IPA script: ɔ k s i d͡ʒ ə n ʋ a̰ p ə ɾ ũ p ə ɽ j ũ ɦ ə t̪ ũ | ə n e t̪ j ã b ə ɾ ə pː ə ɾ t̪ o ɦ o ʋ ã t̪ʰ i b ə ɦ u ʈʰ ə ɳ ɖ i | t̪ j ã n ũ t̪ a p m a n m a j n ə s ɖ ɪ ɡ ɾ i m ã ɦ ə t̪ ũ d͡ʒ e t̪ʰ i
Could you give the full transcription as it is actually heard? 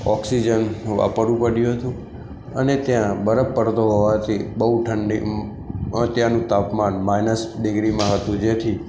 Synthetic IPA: ɔ k s i d͡ʒ ə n ʋ a̰ p ə ɾ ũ p ə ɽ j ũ ɦ ə t̪ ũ | ə n e t̪ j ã b ə ɾ ə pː ə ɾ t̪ o ɦ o ʋ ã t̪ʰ i b ə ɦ u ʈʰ ə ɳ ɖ i | t̪ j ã n ũ t̪ a p m a n m a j n ə s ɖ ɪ ɡ ɾ i m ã ɦ ə t̪ ũ d͡ʒ e t̪ʰ i